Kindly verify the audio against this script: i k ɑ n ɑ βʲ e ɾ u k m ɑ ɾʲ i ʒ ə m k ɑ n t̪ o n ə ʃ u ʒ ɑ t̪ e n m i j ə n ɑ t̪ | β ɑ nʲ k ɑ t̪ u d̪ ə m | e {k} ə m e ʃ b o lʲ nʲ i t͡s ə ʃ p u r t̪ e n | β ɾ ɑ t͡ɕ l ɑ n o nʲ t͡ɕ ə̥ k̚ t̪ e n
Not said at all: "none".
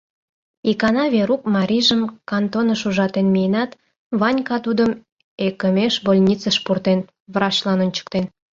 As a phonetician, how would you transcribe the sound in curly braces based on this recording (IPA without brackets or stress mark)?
k